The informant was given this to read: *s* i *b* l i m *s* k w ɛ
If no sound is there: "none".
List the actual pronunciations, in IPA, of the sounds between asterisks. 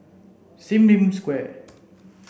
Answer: s, m, s

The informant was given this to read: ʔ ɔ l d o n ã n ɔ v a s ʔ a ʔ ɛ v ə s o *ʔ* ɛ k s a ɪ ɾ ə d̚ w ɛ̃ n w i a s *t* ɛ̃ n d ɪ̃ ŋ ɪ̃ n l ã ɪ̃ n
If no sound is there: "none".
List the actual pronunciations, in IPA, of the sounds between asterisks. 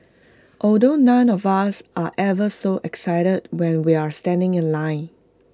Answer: ʔ, t

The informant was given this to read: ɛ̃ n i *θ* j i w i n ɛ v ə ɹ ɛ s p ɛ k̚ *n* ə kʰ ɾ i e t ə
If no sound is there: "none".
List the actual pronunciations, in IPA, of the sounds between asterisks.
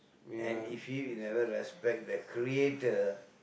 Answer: f, d

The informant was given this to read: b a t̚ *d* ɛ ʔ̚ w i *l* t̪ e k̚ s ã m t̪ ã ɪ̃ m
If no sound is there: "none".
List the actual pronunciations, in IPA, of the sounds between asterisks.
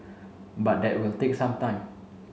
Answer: d, l

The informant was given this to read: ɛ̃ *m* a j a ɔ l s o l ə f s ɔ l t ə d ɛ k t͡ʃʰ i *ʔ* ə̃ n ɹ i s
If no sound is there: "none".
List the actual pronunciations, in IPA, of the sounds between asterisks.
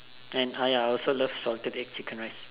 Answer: n, k

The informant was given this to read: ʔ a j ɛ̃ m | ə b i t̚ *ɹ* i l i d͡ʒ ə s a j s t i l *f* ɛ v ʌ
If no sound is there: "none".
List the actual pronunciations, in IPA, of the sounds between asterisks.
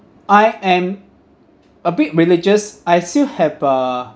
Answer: ɹ, h

